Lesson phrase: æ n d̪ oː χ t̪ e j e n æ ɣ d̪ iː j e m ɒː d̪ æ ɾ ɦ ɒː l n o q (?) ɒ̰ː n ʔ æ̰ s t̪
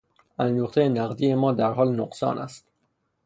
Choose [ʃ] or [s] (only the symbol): s